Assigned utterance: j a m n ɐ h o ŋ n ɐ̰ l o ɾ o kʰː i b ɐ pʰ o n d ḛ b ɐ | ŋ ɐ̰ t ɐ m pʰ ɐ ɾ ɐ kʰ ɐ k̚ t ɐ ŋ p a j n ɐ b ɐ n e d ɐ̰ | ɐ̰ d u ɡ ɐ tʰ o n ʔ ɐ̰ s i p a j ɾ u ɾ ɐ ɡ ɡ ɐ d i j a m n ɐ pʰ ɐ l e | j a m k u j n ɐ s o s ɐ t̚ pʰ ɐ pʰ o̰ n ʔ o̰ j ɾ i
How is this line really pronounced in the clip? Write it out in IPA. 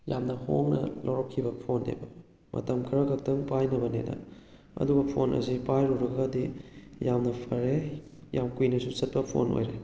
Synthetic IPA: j a m n ɐ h o ŋ n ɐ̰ l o ɾ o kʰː i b ɐ pʰ o n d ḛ b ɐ | m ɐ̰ t ɐ m kʰ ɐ ɾ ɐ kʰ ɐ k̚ t ɐ ŋ p a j n ɐ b ɐ n e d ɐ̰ | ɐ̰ d u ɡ ɐ pʰ o n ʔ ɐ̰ s i p a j ɾ u ɾ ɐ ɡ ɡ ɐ d i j a m n ɐ pʰ ɐ ɾ e | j a m k u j n ɐ s u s ɐ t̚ p ɐ pʰ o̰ n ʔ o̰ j ɾ e